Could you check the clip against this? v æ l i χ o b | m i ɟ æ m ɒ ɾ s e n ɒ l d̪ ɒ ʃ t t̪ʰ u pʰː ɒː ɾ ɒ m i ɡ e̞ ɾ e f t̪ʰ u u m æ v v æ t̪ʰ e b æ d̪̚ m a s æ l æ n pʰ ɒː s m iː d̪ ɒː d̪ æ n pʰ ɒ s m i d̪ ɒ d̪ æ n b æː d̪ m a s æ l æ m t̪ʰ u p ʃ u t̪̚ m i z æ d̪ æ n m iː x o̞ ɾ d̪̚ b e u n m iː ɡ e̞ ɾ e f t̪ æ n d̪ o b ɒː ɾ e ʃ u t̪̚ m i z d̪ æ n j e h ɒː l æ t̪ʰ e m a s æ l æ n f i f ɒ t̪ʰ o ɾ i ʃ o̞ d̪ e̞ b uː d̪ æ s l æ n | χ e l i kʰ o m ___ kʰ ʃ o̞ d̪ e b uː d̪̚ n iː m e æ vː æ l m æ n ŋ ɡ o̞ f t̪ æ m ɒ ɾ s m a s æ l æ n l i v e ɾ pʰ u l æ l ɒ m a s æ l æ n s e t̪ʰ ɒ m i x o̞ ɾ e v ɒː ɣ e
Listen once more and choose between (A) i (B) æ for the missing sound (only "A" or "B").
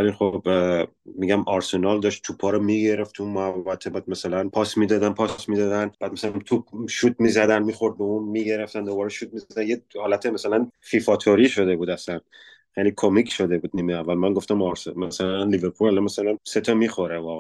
A